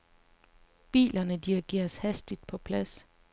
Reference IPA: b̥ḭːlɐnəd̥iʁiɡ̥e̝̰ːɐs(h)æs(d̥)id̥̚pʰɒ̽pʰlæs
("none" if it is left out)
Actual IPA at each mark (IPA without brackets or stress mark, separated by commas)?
h, d̥